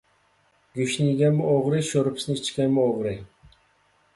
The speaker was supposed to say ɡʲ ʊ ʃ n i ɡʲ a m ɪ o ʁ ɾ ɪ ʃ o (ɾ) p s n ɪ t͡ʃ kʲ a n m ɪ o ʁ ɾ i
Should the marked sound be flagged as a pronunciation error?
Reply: no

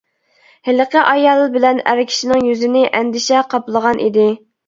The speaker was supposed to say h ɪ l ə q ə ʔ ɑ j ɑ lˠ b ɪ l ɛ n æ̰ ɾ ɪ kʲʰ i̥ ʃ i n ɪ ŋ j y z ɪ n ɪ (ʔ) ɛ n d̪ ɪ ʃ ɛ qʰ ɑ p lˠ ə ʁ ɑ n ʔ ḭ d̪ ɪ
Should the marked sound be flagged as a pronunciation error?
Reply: no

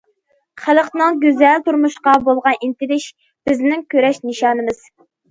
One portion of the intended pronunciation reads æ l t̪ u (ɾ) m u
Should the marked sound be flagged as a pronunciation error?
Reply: no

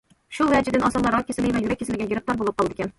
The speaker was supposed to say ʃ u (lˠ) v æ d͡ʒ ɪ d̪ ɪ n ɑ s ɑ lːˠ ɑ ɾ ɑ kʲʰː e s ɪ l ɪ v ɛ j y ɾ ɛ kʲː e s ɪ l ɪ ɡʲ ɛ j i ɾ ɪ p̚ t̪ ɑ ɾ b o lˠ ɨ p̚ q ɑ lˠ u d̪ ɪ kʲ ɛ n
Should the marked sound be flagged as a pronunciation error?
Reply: no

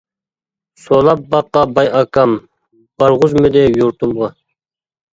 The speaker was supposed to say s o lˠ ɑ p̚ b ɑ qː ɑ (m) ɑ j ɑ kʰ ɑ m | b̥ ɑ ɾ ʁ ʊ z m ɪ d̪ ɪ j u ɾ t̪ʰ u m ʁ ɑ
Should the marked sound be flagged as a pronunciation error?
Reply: yes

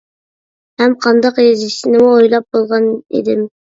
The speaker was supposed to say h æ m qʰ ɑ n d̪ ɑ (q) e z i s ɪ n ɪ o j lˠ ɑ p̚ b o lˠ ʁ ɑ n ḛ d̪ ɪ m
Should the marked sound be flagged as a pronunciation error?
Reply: no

